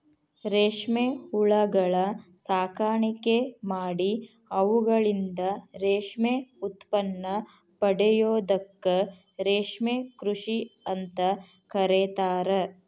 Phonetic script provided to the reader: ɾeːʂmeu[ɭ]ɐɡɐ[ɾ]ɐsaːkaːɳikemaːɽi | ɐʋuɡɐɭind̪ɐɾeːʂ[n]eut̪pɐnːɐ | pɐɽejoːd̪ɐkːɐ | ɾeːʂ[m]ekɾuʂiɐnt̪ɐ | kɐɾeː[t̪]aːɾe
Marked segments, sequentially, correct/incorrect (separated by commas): correct, incorrect, incorrect, correct, correct